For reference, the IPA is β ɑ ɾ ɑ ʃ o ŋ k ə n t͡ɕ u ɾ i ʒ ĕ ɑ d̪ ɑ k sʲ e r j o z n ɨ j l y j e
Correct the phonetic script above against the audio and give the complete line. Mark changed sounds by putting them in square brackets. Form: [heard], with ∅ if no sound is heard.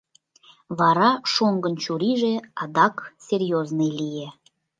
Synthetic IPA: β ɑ ɾ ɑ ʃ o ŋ [ɡ] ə n t͡ɕ u ɾ i ʒ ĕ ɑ d̪ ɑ k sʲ e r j o z n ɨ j l [i] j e